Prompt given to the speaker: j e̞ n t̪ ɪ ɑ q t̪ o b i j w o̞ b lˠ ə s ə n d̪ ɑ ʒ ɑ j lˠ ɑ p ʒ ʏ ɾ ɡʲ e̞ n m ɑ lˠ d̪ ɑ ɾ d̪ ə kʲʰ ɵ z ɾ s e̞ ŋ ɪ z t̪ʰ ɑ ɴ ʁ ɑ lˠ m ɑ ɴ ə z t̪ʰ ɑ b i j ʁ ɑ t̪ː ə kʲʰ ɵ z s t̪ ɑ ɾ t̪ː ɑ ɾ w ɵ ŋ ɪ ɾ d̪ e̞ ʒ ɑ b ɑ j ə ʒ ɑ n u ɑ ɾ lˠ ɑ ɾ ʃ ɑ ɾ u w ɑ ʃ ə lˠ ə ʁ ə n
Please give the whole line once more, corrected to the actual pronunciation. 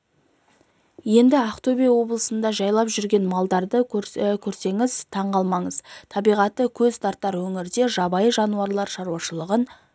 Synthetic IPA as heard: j e̞ n d̪ ɪ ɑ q t̪ o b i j w o̞ b lˠ ə s ə n d̪ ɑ ʒ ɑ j lˠ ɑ p ʒ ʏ ɾ ɡʲ e̞ n m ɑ lˠ d̪ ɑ ɾ d̪ ə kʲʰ ɵ ɾ s e̞ ŋ ɪ z t̪ʰ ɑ ɴ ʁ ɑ lˠ m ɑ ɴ ə z t̪ʰ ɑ b i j ʁ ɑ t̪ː ə kʲʰ ɵ z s t̪ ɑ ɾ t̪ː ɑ ɾ w ɵ ŋ ɪ ɾ d̪ e̞ ʒ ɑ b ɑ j ə ʒ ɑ n u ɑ ɾ lˠ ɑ ɾ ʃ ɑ ɾ u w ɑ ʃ ə lˠ ə ʁ ə n